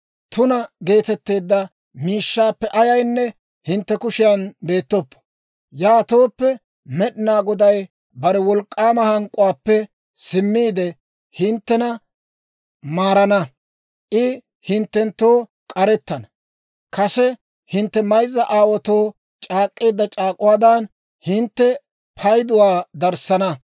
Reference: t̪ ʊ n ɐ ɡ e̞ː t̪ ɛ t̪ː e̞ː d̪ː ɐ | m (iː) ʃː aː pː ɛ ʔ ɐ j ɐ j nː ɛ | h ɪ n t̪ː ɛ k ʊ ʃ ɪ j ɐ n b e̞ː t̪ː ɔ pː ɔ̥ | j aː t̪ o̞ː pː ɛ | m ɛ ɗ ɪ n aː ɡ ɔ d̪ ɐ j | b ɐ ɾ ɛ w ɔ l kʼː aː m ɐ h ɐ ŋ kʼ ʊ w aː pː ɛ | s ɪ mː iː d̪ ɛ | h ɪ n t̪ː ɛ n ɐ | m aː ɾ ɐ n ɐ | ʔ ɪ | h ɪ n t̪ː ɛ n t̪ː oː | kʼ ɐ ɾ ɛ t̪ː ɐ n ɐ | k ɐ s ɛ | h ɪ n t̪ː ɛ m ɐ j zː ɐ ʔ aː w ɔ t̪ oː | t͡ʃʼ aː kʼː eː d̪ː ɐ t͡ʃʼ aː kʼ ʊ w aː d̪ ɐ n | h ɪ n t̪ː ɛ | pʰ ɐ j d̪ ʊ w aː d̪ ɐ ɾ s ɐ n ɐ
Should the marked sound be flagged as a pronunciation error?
no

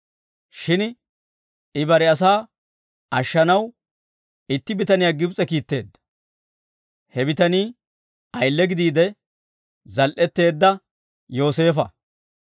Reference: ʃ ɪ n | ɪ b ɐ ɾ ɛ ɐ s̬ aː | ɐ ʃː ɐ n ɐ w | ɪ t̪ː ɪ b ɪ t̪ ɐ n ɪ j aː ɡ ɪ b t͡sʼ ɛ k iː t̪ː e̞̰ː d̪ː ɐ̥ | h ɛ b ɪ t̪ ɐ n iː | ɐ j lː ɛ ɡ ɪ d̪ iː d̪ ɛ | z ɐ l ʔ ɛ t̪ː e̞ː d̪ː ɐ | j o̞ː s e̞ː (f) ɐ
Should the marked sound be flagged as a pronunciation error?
no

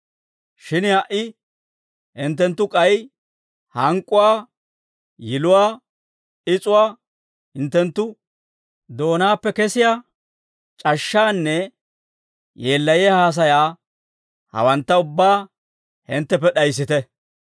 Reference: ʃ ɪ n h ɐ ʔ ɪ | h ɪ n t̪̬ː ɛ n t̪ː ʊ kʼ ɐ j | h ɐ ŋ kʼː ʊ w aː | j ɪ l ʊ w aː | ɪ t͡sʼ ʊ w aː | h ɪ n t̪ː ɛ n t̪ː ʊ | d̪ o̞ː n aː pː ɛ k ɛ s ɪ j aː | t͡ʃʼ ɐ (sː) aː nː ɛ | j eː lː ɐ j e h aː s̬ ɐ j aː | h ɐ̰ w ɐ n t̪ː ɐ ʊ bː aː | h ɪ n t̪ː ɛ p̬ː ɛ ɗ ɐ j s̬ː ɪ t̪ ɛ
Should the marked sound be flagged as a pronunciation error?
yes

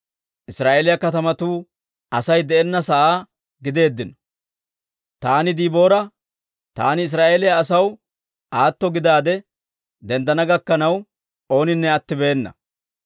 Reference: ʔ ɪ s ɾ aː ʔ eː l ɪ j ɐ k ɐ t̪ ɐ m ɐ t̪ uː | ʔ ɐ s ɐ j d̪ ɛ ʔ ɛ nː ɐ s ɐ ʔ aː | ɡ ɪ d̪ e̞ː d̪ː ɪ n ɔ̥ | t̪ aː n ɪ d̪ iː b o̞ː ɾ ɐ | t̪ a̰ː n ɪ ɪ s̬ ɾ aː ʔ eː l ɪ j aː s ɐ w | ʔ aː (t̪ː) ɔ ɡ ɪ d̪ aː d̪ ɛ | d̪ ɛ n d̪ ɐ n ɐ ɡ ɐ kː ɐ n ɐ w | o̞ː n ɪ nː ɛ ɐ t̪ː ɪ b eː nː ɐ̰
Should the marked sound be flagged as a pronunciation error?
no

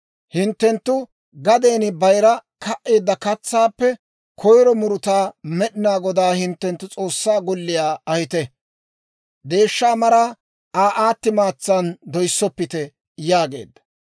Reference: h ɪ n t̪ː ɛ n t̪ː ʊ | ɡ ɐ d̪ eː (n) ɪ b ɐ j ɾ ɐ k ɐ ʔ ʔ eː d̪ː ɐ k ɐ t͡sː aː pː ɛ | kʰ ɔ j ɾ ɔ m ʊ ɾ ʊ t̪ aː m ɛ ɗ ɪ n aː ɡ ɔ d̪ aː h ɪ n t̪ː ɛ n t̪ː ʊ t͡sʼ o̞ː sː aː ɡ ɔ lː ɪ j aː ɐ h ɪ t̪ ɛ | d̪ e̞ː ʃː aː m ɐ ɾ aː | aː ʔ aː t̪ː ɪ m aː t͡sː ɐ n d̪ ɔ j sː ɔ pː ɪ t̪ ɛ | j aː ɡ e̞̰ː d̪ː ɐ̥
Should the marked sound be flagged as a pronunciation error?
no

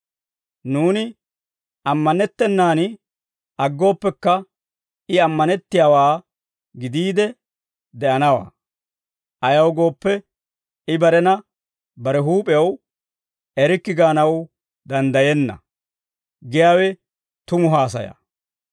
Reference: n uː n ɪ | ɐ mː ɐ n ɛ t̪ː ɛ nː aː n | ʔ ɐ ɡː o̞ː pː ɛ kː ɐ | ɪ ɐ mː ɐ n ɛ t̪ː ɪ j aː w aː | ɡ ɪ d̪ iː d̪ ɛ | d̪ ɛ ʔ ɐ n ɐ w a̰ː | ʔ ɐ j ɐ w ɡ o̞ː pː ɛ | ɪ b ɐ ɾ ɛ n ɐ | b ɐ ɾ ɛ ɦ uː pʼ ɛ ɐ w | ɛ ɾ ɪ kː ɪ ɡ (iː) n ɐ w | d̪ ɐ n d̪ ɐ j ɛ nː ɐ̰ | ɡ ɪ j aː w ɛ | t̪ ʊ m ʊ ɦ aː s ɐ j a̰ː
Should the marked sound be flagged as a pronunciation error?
yes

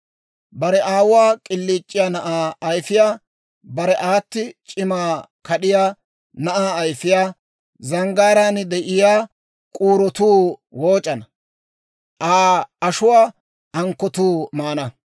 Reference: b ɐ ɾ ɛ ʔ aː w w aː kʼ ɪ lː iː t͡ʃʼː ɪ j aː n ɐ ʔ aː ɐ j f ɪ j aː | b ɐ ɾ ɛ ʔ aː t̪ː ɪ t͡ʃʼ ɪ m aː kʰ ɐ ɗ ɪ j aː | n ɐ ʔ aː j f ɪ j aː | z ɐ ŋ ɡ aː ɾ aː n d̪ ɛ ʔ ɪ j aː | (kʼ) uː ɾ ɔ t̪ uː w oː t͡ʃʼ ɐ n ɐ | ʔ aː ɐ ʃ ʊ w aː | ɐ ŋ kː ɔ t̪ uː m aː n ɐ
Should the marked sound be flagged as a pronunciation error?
no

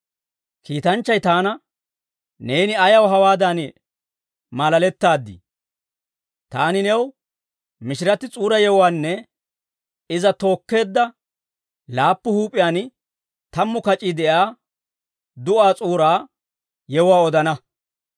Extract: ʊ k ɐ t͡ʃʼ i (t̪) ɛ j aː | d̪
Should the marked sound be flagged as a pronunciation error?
yes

